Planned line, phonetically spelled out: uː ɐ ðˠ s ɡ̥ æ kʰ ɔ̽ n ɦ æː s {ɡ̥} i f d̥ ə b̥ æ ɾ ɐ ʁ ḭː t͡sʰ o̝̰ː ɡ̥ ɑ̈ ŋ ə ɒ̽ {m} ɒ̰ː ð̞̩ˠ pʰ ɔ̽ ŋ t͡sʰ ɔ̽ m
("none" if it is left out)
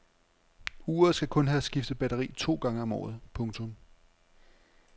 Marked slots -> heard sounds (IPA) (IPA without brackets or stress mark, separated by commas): ɡ̥, m